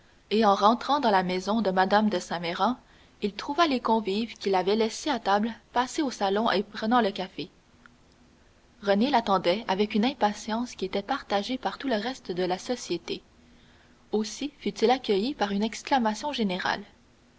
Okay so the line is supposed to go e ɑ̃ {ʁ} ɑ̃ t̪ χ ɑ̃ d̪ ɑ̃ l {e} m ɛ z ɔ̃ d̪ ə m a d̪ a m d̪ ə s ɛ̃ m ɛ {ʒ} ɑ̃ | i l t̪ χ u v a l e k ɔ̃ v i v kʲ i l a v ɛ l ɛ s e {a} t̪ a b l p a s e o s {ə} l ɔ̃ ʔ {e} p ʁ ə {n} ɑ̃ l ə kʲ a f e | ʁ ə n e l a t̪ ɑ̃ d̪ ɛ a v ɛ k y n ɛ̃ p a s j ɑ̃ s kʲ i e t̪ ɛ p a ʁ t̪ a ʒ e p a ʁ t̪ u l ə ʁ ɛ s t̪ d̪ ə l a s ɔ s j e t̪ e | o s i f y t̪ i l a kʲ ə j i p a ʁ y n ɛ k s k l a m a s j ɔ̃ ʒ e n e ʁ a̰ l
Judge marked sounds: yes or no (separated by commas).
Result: yes, no, no, yes, no, yes, yes